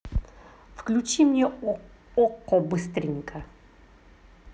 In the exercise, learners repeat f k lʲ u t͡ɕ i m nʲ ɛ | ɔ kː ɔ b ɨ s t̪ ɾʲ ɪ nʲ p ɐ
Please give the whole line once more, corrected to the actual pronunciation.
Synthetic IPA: f k lʲ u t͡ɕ i m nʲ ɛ | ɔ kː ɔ b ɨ s t̪ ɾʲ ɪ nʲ k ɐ